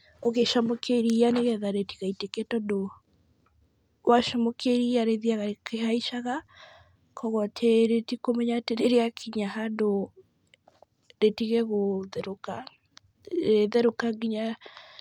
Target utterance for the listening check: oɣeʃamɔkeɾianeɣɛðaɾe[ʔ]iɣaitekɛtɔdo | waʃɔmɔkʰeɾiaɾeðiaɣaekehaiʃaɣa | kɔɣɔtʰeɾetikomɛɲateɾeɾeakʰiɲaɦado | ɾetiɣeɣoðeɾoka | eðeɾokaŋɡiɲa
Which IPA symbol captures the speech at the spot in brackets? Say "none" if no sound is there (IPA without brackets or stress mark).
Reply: t